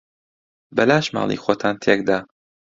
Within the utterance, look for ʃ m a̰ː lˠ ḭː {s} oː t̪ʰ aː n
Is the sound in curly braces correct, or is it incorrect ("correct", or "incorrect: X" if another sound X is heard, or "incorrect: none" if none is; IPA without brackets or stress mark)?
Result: incorrect: x